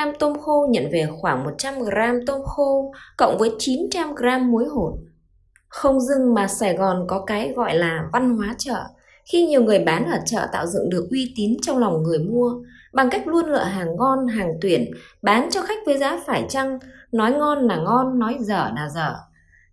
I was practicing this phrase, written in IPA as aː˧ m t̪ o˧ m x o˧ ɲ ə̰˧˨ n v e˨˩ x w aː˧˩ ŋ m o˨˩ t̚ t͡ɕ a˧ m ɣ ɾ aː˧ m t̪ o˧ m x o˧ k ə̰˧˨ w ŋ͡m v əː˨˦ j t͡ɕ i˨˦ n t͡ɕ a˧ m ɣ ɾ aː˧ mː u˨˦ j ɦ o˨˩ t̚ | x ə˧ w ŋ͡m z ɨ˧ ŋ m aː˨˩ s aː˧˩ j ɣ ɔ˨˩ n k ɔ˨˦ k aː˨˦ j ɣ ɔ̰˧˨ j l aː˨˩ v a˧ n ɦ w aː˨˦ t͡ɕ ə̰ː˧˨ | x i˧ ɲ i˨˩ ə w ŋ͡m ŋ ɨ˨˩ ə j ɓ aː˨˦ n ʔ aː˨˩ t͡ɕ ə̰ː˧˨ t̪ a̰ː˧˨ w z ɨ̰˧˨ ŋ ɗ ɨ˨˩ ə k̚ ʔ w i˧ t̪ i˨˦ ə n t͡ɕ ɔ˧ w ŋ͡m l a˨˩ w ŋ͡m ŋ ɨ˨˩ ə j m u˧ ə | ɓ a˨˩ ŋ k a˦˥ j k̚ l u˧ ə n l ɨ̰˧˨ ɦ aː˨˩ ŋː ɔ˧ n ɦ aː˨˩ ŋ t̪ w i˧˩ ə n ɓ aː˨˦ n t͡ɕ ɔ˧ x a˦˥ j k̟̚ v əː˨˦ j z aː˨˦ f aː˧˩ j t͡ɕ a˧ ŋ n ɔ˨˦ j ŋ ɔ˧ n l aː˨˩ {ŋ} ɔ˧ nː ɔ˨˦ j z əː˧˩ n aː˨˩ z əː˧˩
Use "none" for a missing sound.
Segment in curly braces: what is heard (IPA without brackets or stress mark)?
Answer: ŋ